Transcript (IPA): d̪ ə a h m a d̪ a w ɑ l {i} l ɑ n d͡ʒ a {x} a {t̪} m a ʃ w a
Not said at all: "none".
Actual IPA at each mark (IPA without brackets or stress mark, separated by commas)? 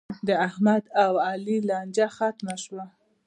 i, x, t̪